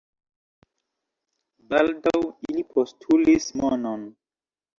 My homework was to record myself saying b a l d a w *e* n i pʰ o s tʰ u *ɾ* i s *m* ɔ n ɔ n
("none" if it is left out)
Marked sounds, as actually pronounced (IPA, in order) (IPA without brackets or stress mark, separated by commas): i, l, m